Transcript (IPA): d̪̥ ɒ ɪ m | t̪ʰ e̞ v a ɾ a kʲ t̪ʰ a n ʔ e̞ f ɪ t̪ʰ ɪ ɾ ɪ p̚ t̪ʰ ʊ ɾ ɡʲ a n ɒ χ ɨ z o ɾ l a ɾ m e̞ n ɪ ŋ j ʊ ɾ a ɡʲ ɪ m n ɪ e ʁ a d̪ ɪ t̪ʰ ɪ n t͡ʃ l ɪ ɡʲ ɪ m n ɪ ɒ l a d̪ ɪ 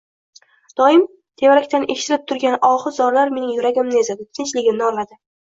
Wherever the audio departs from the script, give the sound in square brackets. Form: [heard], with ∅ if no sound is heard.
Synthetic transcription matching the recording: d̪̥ ɒ ɪ m | t̪ʰ e̞ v a ɾ a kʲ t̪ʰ a n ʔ e̞ [ʃ] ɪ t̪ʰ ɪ ɾ ɪ p̚ t̪ʰ ʊ ɾ ɡʲ a n ɒ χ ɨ z [ɒ] ɾ l a ɾ m e̞ n ɪ ŋ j ʊ ɾ a ɡʲ ɪ m n ɪ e [z] a d̪ ɪ t̪ʰ ɪ n t͡ʃ l ɪ ɡʲ ɪ m n ɪ ɒ l a d̪ ɪ